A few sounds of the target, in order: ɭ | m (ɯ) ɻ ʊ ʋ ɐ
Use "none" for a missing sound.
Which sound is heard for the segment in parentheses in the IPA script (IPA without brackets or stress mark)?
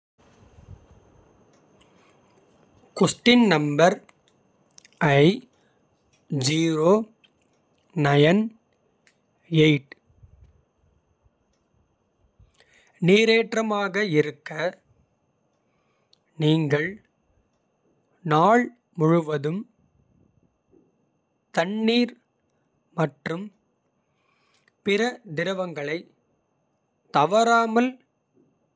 ʊ